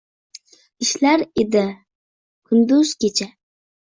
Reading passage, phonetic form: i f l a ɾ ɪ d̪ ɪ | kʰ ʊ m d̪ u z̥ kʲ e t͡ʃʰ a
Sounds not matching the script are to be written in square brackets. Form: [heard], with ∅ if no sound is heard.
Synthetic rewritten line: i [ʃ] l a ɾ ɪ d̪ ɪ | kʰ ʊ [n] d̪ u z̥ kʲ e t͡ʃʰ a